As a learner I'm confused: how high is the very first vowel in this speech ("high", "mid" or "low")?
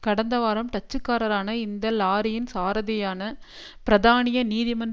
low